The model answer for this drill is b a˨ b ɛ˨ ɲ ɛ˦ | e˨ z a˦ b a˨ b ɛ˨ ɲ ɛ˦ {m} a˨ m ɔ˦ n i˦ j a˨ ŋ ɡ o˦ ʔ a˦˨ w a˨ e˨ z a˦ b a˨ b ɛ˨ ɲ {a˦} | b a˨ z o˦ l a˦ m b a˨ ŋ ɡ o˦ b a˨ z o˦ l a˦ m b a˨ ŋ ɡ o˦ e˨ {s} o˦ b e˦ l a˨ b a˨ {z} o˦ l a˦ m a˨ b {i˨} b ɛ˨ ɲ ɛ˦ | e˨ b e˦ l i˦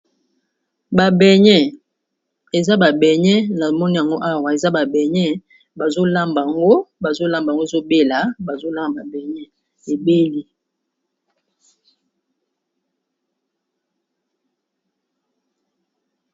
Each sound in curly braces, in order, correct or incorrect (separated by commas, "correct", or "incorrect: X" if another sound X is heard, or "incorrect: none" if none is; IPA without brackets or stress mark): incorrect: n, incorrect: ɛ˦, incorrect: z, correct, incorrect: a˨